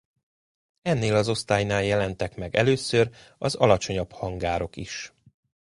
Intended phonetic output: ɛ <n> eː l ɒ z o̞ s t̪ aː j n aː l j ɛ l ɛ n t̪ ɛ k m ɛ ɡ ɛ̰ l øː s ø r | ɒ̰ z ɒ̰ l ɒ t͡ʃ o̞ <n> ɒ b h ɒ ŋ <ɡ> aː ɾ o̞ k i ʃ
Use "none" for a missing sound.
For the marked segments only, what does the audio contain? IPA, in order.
nː, ɲ, ɡ

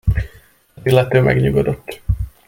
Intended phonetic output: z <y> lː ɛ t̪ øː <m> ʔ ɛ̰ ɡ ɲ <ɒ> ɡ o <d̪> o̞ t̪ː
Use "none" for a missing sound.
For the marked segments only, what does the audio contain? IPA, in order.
i, m, u, d̪

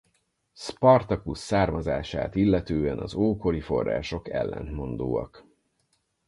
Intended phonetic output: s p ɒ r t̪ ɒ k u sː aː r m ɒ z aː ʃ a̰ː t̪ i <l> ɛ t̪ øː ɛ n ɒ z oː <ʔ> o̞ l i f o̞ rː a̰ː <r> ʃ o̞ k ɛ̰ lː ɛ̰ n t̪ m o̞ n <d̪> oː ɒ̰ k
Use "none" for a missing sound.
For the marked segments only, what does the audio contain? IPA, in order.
lː, k, none, d̪

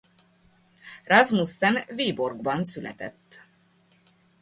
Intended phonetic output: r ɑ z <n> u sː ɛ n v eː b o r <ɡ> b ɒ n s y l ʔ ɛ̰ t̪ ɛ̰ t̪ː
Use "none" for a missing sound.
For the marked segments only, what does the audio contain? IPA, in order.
m, ɡ

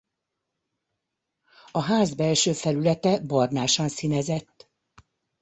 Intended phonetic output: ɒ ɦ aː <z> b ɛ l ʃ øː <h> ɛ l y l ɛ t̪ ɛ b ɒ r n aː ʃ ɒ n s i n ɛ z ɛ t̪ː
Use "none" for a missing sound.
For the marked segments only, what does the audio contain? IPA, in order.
z, f

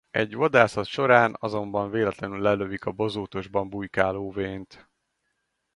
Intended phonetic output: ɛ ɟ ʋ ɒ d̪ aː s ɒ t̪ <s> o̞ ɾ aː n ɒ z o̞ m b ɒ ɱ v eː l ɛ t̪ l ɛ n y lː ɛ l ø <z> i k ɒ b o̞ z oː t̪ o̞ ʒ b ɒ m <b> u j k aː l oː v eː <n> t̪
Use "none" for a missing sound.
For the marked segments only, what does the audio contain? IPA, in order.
ʃ, v, b, n

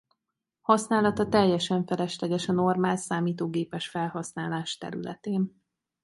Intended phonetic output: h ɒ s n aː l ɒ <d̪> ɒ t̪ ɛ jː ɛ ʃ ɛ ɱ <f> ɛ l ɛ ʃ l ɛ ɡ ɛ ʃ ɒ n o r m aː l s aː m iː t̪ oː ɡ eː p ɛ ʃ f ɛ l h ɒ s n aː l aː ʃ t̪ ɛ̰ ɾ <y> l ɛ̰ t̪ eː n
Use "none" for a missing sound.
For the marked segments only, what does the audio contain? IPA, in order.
t̪, f, y

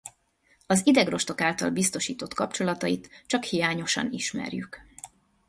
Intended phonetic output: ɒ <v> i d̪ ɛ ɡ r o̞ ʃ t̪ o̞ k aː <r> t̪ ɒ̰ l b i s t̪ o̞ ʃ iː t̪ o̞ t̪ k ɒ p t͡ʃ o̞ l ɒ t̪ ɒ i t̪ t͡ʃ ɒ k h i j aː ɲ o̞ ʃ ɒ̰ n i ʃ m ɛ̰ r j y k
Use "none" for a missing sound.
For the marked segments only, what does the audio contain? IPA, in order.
z, l

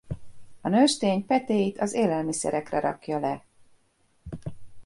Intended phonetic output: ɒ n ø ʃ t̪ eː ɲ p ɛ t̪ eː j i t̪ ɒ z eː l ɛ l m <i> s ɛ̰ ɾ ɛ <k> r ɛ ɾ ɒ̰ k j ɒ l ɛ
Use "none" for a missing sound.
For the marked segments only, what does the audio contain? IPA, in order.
i, k

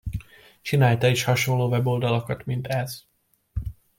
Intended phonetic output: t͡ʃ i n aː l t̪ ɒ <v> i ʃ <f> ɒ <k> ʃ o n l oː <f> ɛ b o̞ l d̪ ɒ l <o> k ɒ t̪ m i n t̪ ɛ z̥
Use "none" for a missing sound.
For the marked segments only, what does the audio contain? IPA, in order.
none, h, none, v, o

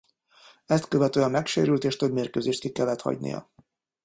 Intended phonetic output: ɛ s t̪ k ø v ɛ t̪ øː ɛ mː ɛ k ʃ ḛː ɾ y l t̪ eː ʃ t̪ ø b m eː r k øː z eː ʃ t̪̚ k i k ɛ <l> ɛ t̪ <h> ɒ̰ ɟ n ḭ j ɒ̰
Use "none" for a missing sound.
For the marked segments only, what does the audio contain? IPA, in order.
lː, h

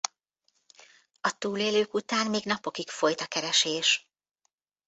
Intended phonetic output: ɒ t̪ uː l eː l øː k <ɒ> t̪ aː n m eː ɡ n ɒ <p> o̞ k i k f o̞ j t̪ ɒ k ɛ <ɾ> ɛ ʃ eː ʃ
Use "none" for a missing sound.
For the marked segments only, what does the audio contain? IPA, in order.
u, p, ɾ

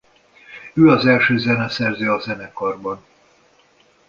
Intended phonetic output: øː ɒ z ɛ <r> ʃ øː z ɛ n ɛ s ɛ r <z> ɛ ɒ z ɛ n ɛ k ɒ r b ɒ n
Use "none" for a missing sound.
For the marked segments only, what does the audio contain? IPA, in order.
l, z

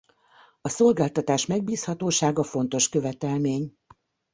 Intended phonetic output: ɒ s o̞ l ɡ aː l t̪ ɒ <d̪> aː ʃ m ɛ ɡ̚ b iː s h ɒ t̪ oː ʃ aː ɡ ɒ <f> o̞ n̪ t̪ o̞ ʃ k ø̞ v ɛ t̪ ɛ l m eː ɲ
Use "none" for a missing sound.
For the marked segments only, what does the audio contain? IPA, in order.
t̪, f

